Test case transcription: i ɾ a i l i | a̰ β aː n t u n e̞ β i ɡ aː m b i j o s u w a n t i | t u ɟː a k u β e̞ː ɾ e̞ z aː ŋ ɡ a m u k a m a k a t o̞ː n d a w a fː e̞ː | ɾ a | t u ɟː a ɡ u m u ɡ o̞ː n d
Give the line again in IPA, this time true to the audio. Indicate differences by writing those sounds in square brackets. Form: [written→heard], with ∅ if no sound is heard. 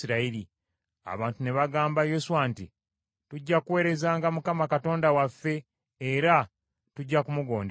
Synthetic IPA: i ɾ a i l i | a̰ β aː n t u n e̞ β [i→a] ɡ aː m b [i→a] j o s u w a n t i | t u ɟː a k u [β→w] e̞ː ɾ e̞ z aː ŋ ɡ a m u k a m a k a t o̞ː n d a w a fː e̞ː | ɾ a | t u ɟː a [ɡ→k] u m u ɡ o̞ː n d